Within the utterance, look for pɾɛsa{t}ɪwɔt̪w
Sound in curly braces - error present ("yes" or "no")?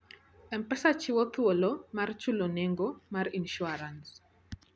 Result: yes